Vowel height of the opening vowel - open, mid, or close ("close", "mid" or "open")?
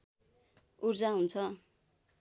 close